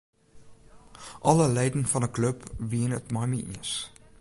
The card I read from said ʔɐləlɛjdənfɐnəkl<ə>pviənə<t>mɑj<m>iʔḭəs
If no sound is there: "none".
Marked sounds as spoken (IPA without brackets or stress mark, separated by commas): ə, t, m